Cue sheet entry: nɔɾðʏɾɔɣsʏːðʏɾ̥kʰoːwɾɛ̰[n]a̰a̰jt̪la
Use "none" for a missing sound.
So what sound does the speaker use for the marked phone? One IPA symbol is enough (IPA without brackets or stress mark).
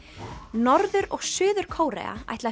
none